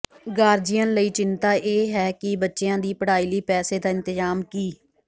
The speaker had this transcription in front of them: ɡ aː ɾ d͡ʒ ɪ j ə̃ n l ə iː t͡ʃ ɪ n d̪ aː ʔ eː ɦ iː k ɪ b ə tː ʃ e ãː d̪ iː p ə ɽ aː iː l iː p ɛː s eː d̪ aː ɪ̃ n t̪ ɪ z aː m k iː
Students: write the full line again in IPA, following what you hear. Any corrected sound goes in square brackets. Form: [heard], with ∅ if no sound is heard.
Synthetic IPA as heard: ɡ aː ɾ d͡ʒ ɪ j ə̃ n l ə iː t͡ʃ ɪ n [t̪] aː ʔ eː ɦ [ɛː] k ɪ b ə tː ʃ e ãː d̪ iː p ə ɽ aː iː l iː p ɛː s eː d̪ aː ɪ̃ n t̪ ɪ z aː m k iː